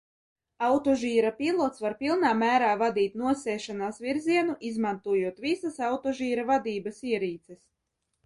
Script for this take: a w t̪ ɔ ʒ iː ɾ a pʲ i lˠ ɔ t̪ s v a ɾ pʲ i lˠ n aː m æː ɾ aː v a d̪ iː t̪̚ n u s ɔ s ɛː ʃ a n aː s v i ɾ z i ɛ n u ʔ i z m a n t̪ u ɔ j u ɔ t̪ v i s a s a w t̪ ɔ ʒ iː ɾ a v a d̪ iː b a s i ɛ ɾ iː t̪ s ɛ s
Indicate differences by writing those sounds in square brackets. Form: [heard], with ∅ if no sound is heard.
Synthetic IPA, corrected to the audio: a w t̪ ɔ ʒ iː ɾ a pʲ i lˠ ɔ t̪ s v a ɾ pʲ i lˠ n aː m æː ɾ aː v a d̪ iː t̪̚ n u [∅] ɔ s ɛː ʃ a n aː s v i ɾ z i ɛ n u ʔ i z m a n t̪ u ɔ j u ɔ t̪ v i s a s a w t̪ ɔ ʒ iː ɾ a v a d̪ iː b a s i ɛ ɾ iː t̪ s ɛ s

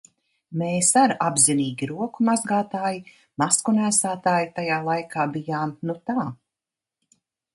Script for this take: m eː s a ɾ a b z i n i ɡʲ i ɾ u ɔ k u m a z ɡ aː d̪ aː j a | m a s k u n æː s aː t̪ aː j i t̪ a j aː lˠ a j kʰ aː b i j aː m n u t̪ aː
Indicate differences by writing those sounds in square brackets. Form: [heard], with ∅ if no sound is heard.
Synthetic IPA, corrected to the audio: m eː s a ɾ a b z i n [iː] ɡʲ i ɾ u ɔ k u m a z ɡ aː [t̪] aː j [i] | m a s k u n æː s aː t̪ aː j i t̪ a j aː lˠ a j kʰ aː b i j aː m n u t̪ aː

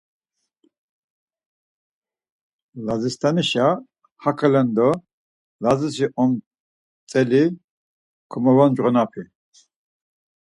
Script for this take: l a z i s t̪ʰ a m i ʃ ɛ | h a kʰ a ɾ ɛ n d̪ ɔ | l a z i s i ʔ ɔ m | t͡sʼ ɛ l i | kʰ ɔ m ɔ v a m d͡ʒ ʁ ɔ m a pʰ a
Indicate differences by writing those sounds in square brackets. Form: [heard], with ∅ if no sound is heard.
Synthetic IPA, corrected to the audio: l a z i s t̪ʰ a [n] i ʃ [a] | h a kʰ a [l] ɛ n d̪ ɔ | l a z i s i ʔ ɔ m | t͡sʼ ɛ l i | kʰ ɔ m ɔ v a [n] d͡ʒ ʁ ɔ [n] a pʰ [i]

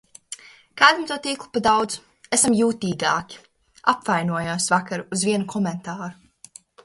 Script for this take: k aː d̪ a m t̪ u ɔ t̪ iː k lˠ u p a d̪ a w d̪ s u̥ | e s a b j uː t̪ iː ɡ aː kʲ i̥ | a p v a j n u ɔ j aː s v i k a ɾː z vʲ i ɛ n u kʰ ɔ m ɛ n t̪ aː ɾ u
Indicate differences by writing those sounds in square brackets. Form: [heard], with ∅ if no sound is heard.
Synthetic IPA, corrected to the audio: k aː d̪ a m t̪ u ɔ t̪ iː k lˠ u p a d̪ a w d̪ [z] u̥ | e s a [m] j uː t̪ iː ɡ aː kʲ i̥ | a p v a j n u ɔ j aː s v [a] k a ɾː z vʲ i ɛ n u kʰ ɔ m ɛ n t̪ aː ɾ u

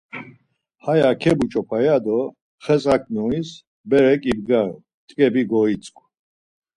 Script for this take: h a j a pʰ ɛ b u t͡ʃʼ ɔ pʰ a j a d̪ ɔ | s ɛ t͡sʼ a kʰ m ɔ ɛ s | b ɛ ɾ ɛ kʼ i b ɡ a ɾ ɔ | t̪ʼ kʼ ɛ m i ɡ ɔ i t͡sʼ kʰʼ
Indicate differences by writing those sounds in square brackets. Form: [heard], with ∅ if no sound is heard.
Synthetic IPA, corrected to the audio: h a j a [kʰ] ɛ b u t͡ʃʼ ɔ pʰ a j a d̪ ɔ | [χ] ɛ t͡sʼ a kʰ [n] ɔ [i] s | b ɛ ɾ ɛ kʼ i b ɡ a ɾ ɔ | t̪ʼ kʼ ɛ [b] i ɡ ɔ i t͡sʼ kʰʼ

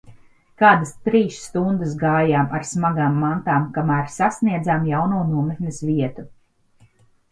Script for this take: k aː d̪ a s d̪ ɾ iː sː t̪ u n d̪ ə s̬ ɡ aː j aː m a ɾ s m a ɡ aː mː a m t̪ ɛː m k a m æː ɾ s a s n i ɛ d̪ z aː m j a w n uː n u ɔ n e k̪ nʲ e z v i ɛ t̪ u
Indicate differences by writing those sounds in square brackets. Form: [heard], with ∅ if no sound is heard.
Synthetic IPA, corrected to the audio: k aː d̪ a s [t̪] ɾ iː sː t̪ u n d̪ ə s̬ ɡ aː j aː m a ɾ s m a ɡ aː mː a [n] t̪ [aː] m k a m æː ɾ s a s n i ɛ d̪ z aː m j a w n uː n u ɔ [m] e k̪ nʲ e [s] v i ɛ t̪ u

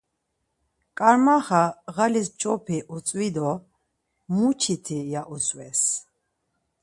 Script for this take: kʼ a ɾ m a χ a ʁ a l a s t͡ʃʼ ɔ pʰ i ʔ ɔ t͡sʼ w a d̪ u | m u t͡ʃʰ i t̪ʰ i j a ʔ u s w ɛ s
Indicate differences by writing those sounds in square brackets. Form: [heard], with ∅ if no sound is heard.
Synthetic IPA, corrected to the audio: kʼ a ɾ m a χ a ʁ a l [i] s t͡ʃʼ ɔ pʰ i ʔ [u] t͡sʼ w [i] d̪ [ɔ] | m u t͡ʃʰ i t̪ʰ i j a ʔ u s w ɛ s

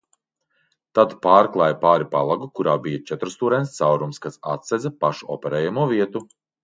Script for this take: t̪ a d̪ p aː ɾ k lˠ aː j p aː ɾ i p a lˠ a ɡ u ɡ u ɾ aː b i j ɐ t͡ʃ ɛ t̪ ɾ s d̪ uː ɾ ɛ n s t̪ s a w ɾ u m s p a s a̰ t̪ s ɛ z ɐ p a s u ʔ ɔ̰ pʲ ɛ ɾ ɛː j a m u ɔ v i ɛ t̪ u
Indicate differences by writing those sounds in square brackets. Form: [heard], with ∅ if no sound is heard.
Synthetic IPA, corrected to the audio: t̪ a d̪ p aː ɾ k lˠ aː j p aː ɾ i p a lˠ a ɡ u [k] u ɾ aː b i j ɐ t͡ʃ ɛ t̪ ɾ s [t̪] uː ɾ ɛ n s t̪ s a w ɾ u m s [k] a s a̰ t̪ s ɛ z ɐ p a [ʃ] u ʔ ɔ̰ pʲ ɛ ɾ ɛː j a m u ɔ v i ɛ t̪ u

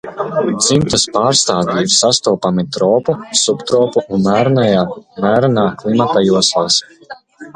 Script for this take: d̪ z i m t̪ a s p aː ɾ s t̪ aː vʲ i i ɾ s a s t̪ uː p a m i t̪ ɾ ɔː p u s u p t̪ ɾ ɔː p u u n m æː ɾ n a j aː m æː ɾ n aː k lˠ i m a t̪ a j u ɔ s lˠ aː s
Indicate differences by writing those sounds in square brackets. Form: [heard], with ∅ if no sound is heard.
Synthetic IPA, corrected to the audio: d̪ z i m t̪ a s p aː ɾ s t̪ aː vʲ i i ɾ s a s t̪ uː p a m i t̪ ɾ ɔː p u s u p t̪ ɾ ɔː p u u n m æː ɾ n a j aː m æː ɾ n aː k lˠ i m a t̪ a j u ɔ s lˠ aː s

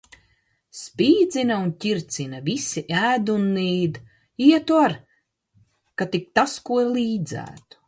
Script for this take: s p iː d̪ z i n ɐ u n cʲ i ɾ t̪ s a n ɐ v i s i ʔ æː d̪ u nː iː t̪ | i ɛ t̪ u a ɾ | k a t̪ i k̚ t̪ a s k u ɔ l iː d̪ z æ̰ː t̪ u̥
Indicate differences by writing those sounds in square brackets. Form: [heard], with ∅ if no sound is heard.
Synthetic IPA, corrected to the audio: s p iː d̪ z i n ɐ u n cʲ i ɾ t̪ s [i] n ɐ v i s i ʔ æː d̪ u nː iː [d̪] | i ɛ t̪ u a ɾ | k a t̪ i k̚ t̪ a s k u ɔ l iː d̪ z æ̰ː t̪ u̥

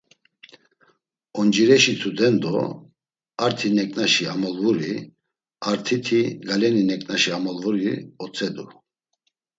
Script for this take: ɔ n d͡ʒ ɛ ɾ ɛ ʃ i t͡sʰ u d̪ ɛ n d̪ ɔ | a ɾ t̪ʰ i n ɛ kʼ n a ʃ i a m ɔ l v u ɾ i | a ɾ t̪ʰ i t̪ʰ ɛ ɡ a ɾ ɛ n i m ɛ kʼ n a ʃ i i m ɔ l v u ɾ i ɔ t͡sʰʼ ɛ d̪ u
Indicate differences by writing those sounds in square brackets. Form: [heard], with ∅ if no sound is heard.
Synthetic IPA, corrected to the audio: ɔ n d͡ʒ [i] ɾ ɛ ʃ i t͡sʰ u d̪ ɛ n d̪ ɔ | a ɾ t̪ʰ i n ɛ kʼ n a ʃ i a m ɔ l v u ɾ i | a ɾ t̪ʰ i t̪ʰ [i] ɡ a [l] ɛ n i [n] ɛ kʼ n a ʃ i [a] m ɔ l v u ɾ i ɔ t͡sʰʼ ɛ d̪ u

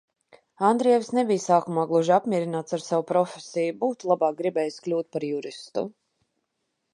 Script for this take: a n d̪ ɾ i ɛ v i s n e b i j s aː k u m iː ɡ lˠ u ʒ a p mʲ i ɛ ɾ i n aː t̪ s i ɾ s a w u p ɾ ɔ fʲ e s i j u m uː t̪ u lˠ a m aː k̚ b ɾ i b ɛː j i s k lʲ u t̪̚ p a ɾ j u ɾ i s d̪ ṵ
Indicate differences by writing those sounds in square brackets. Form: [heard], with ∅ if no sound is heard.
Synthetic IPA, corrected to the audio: a n d̪ ɾ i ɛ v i s n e b i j s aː k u m [aː] ɡ lˠ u ʒ a p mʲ i ɛ ɾ i n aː t̪ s [a] ɾ s a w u p ɾ ɔ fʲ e s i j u [b] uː t̪ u lˠ a [b] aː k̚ [ɡ] ɾ i b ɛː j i s k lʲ [uː] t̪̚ p a ɾ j u ɾ i s [t̪] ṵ

